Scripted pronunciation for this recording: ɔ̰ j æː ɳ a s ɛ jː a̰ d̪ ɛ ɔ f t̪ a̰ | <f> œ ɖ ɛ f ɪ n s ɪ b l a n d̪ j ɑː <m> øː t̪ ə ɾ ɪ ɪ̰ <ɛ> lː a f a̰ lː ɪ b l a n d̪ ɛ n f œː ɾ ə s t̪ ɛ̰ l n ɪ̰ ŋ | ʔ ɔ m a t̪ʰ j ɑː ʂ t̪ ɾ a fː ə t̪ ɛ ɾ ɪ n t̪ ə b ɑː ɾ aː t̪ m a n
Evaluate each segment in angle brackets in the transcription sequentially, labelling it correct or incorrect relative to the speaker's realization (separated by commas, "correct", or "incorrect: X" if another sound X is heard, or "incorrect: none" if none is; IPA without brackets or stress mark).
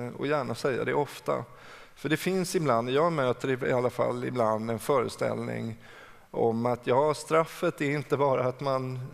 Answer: correct, correct, incorrect: a